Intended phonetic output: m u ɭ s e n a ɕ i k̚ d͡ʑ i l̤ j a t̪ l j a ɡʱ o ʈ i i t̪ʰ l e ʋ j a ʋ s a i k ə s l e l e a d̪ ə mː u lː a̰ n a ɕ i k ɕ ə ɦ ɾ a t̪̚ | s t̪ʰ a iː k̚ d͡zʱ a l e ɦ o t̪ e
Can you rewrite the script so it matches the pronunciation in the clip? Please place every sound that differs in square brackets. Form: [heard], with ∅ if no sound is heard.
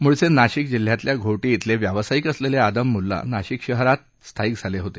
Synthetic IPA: m u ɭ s e n a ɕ i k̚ d͡ʑ i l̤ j a t̪ l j a ɡʱ o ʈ i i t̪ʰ l e ʋ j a ʋ s a i k ə s l e l e a d̪ ə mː u lː a̰ n a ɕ i k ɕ ə ɦ ɾ a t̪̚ | s t̪ʰ a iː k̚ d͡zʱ a l e ɦ o t̪ e

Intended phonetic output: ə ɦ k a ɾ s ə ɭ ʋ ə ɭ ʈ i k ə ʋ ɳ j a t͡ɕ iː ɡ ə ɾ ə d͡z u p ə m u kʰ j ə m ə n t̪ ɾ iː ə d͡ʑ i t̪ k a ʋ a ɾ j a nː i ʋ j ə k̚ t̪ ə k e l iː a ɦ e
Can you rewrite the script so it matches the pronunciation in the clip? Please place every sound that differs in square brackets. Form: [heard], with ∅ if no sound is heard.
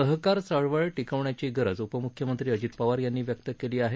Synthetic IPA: ə ɦ k a ɾ s ə ɭ ʋ ə ɭ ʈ i k ə ʋ ɳ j a t͡ɕ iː ɡ ə ɾ ə d͡z u p ə m u kʰ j ə m ə n t̪ ɾ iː ə d͡ʑ i t̪ [p] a ʋ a ɾ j a nː [iː] ʋ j ə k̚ t̪ ə k e l iː a ɦ e

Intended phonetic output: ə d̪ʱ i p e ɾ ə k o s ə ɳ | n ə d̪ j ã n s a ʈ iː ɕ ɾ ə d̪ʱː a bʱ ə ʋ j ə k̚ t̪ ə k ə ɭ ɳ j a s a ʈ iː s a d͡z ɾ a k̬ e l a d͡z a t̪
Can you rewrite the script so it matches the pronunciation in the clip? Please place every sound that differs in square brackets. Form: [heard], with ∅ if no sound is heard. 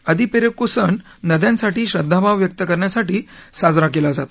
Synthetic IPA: ə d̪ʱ i p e ɾ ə k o s ə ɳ | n ə d̪ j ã n s a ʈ iː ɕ ɾ ə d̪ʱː a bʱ [a] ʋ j ə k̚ t̪ ə k ə [ɾ] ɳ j a s a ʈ iː s a d͡z ɾ a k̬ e l a d͡z a t̪

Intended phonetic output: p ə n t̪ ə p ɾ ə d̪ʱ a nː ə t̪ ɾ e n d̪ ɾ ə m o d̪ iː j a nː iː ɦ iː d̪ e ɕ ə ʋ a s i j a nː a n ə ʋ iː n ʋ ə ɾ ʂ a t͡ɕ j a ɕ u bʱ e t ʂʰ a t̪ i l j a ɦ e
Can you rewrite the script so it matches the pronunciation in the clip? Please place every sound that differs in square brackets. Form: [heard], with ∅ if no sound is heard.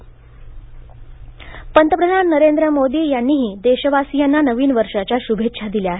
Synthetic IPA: p ə n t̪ ə p ɾ ə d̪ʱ a nː ə [∅] ɾ e n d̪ ɾ ə m o d̪ iː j a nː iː ɦ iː d̪ e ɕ ə ʋ a s i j a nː a n ə ʋ iː n ʋ ə ɾ ʂ a t͡ɕ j a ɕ u bʱ e t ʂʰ a [d̪] i l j a ɦ e

